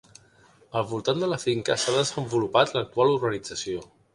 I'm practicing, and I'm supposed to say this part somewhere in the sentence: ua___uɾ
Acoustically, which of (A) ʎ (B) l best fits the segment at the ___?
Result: B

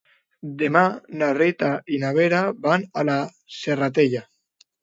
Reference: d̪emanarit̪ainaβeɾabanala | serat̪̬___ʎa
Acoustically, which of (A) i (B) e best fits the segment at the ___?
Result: B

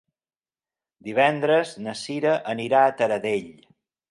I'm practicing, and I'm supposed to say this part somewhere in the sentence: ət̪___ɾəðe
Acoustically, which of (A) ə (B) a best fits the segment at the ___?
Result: A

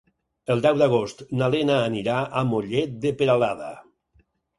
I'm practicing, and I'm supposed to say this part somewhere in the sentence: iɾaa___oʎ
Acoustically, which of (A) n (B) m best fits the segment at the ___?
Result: B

